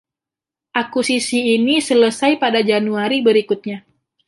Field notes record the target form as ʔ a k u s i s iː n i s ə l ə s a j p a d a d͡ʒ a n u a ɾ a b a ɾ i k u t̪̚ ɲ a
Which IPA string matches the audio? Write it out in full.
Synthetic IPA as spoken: ʔ a k u s i s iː n i s ə l ə s a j p a d a d͡ʒ a n u a ɾ i b ə ɾ i k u t̪̚ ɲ a

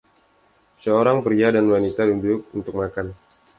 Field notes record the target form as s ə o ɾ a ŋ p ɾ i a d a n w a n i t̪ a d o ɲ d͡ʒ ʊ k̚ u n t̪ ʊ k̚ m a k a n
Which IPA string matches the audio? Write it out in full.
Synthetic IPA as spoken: s ə o ɾ a ŋ p ɾ i a d a n w a n i t̪ a d u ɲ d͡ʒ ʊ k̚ u n t̪ ʊ k̚ m a k a n

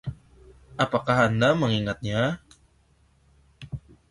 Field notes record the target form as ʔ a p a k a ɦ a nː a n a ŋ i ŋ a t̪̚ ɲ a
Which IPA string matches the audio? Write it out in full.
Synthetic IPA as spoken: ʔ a p a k a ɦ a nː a m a ŋ i ŋ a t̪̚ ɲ a

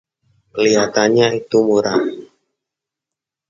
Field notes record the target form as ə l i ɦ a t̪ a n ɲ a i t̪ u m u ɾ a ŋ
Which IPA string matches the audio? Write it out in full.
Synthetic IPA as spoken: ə l i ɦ a t̪ a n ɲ a i t̪ u m u ɾ a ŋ

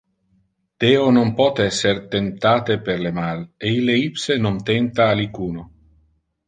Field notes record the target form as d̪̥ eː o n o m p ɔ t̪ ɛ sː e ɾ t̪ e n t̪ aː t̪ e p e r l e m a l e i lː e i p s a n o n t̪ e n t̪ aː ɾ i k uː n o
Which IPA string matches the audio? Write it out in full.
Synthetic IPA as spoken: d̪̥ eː o n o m p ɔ t̪ ɛ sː e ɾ t̪ e n t̪ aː t̪ e p e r l e m a l e i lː e i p s e n o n t̪ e n t̪ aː l i k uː n o

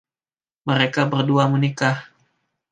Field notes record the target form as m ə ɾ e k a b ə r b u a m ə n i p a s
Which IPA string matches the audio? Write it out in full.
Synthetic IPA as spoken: m ə ɾ e k a b ə r d u a m ə n i k a h

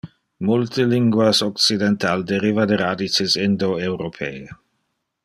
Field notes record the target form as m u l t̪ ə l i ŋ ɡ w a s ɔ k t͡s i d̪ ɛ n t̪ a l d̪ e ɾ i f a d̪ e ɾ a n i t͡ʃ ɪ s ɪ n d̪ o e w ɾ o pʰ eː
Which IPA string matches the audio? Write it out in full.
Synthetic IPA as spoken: m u l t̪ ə l i ŋ ɡ w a s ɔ k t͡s i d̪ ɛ n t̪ a l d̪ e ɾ i v a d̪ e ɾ a d i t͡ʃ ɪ s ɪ n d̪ o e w ɾ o pʰ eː

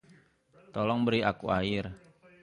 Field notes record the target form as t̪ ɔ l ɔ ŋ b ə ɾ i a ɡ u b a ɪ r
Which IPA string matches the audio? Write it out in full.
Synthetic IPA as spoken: t̪ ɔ l ɔ ŋ b ə ɾ i a k u a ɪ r

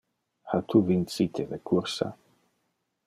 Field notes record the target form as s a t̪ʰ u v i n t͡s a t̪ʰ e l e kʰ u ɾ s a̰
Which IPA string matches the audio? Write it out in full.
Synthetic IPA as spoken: h a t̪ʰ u v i n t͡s i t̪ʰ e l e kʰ u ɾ s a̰

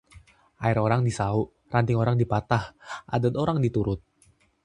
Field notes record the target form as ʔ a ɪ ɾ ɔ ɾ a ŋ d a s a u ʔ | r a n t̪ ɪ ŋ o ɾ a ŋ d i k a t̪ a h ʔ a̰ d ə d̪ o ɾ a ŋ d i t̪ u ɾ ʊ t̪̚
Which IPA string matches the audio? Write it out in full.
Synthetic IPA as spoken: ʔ a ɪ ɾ o ɾ a ŋ d i s a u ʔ | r a n t̪ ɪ ŋ o ɾ a ŋ d i p a t̪ a h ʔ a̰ d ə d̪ o ɾ a ŋ d i t̪ u ɾ ʊ t̪̚

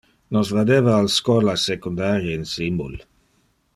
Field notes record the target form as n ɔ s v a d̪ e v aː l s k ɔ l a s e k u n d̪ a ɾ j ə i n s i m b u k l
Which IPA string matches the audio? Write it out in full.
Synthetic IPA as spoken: n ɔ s v a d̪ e v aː l s k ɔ l a s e k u n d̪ a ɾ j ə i n s i m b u l

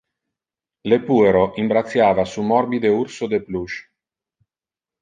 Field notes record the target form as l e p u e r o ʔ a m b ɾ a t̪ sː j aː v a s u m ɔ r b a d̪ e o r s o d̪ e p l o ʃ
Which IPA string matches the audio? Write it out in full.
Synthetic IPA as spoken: l e p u e ɾ o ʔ i m b ɾ a t̪ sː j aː v a s u m ɔ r b i d̪ e u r s o d̪ e p l u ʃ

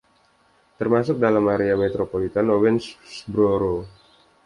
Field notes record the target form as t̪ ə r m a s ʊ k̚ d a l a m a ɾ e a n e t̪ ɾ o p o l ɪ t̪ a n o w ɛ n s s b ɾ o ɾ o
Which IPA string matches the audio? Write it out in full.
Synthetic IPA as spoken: t̪ ə r m a s ʊ k̚ d a l a m a ɾ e a m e t̪ ɾ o p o l i t̪ a n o w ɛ n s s b ɾ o ɾ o

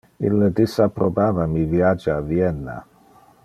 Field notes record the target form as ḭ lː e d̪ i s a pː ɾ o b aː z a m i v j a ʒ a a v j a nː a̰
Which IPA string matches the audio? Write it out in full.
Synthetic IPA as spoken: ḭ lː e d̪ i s a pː ɾ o b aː v a m i v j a d͡ʒ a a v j ɛ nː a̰

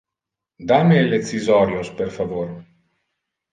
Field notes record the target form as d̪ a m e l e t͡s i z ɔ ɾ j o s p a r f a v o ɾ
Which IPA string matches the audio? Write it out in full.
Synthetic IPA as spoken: d̪ a m e l e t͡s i z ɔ ɾ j o s p e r f a v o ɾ

